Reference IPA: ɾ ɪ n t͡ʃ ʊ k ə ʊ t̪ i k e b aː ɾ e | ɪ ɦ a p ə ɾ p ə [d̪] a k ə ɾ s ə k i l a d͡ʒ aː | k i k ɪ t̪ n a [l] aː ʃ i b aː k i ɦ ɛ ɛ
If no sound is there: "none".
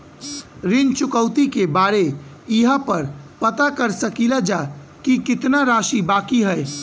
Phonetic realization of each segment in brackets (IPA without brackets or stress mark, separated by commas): t̪, ɾ